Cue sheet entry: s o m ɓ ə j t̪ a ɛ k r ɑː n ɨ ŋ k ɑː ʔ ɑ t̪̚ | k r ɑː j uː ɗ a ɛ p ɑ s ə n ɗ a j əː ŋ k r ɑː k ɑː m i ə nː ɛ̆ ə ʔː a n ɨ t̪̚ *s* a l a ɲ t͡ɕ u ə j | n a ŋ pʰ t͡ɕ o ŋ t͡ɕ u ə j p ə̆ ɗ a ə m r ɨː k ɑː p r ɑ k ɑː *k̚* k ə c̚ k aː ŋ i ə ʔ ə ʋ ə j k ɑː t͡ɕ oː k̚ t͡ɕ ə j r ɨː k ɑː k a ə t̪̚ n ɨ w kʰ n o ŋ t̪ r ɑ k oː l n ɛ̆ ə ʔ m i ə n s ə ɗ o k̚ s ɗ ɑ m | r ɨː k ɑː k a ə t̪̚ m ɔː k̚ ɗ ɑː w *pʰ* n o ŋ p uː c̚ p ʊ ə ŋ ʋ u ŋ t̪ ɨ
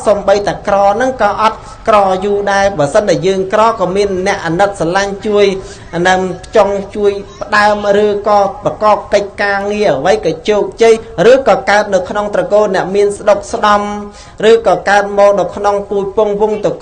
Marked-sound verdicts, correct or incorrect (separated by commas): correct, incorrect, incorrect